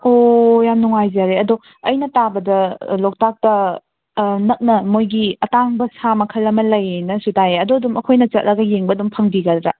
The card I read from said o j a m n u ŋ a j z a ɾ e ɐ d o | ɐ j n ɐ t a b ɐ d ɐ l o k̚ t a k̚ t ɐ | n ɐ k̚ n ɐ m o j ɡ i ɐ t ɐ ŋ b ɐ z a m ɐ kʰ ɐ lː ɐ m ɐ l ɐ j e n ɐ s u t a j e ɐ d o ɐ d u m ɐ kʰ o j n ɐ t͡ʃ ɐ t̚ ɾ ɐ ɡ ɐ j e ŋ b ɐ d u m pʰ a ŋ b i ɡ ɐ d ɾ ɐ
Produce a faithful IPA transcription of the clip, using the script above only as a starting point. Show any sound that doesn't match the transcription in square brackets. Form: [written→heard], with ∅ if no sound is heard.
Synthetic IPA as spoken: o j a m n u ŋ a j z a ɾ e ɐ d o | ɐ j n ɐ t a b ɐ d ɐ l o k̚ t a k̚ t ɐ | n ɐ k̚ n ɐ m o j ɡ i ɐ t [ɐ→a] ŋ b ɐ [z→s] a m ɐ kʰ ɐ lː ɐ m ɐ l ɐ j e n ɐ s u t a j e ɐ d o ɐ d u m ɐ kʰ o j n ɐ t͡ʃ ɐ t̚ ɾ ɐ ɡ ɐ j e ŋ b ɐ d u m pʰ [a→ɐ] ŋ b i ɡ ɐ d ɾ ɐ